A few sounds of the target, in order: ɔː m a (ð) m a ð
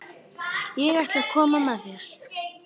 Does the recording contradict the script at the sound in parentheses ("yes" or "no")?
yes